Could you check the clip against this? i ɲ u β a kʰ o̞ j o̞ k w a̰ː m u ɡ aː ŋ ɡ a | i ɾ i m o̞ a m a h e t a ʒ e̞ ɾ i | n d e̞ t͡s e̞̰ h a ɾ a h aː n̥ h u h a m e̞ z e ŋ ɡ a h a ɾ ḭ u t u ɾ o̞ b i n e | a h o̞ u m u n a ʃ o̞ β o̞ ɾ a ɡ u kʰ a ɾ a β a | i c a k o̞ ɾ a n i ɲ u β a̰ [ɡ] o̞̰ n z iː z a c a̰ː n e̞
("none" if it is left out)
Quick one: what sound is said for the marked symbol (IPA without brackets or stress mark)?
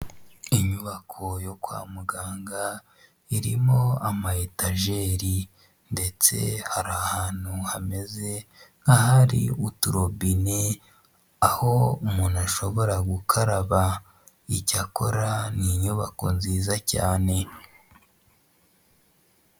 k